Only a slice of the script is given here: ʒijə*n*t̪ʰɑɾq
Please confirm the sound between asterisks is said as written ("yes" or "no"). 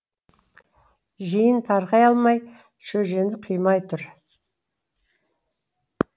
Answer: yes